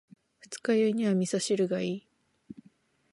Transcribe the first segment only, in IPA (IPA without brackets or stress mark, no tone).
ɸ